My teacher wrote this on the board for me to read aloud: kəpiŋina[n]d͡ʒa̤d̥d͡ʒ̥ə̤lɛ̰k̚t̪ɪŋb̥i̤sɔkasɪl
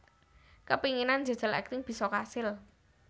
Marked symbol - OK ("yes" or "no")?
yes